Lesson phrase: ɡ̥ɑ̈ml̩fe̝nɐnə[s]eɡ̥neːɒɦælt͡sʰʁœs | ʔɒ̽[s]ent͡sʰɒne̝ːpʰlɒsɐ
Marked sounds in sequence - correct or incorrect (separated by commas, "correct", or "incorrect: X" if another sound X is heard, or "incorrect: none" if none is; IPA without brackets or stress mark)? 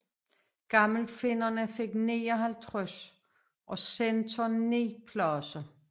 incorrect: f, correct